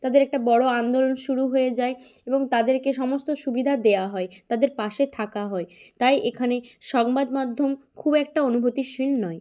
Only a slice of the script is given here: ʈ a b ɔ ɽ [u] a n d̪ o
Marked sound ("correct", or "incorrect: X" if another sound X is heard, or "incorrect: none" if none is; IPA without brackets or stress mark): incorrect: o